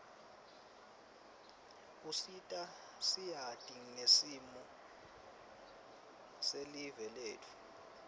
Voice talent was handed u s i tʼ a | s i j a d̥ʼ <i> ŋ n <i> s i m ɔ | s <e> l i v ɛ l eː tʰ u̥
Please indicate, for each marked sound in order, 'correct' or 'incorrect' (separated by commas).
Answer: correct, incorrect, correct